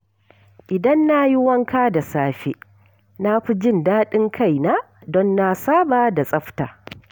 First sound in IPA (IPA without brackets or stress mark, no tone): ʔ